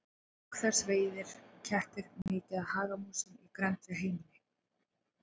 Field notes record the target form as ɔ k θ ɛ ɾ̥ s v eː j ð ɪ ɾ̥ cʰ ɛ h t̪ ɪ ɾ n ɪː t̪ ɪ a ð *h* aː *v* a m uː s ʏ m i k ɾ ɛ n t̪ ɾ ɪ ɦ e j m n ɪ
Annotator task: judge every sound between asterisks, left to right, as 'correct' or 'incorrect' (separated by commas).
correct, incorrect